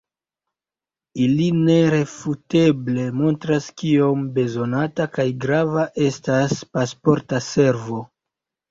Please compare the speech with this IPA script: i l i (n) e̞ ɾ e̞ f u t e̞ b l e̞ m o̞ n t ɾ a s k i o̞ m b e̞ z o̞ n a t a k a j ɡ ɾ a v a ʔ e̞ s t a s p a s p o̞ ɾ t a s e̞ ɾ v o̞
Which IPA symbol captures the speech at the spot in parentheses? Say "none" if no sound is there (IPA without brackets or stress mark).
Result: n